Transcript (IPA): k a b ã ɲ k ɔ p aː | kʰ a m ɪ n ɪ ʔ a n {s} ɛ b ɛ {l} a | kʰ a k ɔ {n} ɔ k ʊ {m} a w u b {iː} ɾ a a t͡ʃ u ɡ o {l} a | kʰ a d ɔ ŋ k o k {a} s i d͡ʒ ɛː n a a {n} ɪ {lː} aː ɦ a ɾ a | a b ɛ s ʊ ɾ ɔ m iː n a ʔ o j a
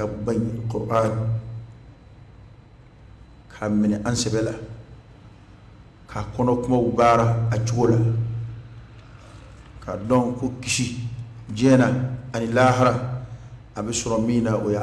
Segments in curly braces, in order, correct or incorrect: correct, correct, correct, correct, incorrect: aː, correct, incorrect: i, correct, incorrect: l

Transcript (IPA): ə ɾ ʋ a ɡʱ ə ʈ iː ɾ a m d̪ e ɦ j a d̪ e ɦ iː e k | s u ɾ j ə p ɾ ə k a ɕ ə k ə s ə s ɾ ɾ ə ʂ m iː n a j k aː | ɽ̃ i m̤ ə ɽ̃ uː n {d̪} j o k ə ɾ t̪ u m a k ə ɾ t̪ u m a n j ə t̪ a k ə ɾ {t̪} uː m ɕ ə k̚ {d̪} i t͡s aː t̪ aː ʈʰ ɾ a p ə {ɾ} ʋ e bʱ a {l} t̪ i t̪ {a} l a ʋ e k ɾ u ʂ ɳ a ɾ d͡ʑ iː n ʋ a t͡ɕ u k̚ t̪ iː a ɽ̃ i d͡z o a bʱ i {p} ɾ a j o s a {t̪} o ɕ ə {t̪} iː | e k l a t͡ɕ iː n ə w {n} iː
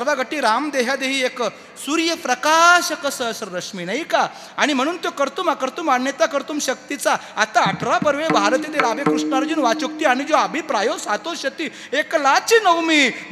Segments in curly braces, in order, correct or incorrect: incorrect: t̪, correct, incorrect: t̪, correct, incorrect: ɾ, incorrect: e, correct, correct, correct, incorrect: m

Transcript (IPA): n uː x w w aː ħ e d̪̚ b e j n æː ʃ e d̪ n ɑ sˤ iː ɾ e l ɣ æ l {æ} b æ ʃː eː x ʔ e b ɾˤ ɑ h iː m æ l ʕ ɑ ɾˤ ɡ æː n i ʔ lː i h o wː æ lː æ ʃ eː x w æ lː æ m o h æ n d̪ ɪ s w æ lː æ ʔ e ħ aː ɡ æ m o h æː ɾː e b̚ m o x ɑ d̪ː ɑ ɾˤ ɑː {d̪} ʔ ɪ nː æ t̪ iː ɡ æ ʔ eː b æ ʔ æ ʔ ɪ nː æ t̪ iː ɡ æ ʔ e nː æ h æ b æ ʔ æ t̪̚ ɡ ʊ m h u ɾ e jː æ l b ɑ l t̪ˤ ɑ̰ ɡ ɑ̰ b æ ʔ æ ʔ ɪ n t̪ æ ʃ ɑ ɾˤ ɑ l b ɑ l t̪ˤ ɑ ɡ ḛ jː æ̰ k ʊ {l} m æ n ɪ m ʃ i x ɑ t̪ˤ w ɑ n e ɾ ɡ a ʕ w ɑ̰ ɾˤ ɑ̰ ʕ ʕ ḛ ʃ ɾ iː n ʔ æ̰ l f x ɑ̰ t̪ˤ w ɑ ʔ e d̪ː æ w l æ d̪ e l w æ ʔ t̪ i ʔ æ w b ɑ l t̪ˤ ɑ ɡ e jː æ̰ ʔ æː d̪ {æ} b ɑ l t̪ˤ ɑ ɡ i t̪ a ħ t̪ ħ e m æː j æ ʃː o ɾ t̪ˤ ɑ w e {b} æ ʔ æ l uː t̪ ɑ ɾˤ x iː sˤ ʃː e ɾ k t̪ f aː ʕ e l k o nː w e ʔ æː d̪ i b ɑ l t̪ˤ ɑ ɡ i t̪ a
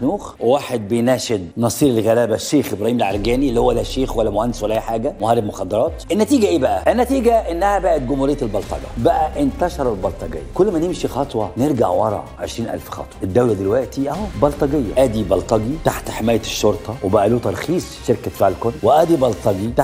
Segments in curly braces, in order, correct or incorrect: incorrect: æː, incorrect: t̪, incorrect: lː, incorrect: i, correct

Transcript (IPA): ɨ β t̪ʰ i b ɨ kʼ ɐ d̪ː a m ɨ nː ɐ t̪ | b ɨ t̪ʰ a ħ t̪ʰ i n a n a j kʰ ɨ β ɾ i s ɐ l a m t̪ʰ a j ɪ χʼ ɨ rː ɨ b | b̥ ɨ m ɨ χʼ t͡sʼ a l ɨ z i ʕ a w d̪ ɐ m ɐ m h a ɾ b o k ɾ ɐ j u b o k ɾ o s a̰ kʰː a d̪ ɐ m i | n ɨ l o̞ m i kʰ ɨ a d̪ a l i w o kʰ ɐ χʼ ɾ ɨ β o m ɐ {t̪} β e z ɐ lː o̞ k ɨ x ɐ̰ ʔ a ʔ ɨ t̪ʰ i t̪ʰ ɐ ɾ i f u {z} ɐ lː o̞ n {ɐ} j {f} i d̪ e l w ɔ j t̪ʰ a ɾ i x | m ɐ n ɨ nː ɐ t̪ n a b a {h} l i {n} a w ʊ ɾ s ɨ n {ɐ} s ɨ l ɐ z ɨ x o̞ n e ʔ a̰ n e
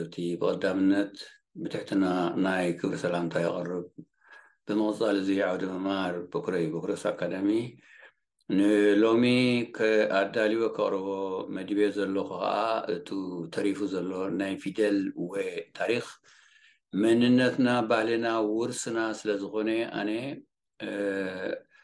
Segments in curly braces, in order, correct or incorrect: incorrect: d̪, correct, incorrect: a, correct, correct, correct, incorrect: a

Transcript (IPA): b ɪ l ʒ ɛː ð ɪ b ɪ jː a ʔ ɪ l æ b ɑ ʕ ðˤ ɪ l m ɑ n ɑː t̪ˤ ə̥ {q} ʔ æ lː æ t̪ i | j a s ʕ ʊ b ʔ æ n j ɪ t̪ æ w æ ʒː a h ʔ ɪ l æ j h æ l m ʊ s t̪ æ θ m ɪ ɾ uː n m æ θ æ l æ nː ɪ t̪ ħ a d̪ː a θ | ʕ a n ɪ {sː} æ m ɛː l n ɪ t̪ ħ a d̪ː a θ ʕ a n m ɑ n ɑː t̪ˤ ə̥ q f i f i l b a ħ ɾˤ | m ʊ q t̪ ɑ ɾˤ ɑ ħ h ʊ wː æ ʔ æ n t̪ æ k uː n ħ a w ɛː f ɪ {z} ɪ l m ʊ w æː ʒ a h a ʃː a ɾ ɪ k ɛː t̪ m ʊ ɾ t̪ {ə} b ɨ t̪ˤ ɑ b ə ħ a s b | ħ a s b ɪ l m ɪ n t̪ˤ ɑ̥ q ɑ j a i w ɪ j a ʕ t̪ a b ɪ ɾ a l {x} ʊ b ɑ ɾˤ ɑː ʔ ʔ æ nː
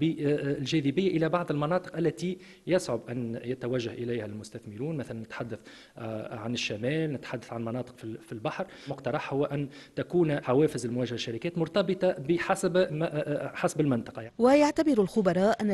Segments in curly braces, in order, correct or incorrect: correct, incorrect: ʃː, correct, incorrect: ɑ, correct

